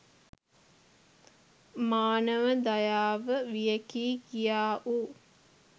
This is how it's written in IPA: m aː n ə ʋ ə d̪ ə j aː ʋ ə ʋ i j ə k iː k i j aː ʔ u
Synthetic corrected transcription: m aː n ə ʋ ə d̪ a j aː ʋ ə ʋ i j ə k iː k i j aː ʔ u